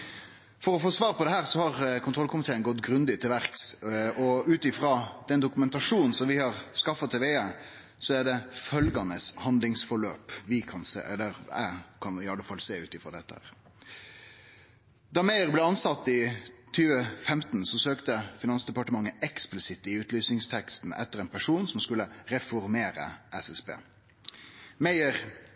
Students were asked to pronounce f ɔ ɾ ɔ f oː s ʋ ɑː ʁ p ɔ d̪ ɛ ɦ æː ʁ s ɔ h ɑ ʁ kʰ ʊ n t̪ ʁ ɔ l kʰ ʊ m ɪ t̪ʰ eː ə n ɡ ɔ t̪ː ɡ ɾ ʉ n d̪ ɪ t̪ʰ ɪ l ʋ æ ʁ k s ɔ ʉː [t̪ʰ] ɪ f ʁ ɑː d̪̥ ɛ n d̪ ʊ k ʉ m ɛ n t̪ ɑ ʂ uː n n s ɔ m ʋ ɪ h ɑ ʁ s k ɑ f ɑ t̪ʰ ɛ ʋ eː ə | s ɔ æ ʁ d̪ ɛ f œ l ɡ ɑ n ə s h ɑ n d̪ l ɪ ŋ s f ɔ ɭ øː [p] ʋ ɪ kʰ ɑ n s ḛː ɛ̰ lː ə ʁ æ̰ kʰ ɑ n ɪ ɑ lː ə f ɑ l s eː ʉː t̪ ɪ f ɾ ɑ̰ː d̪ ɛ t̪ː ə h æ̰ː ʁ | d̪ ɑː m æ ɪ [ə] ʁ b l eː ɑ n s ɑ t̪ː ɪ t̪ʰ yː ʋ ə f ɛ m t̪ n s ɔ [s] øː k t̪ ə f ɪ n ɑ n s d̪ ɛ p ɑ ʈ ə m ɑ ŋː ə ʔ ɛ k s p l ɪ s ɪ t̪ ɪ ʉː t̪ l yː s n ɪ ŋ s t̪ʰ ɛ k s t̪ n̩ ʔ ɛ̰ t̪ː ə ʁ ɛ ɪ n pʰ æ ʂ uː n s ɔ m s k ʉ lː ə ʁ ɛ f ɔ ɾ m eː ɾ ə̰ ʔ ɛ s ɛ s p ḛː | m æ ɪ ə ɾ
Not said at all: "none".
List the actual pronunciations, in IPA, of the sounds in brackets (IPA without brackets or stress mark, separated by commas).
t̪, p, ə, s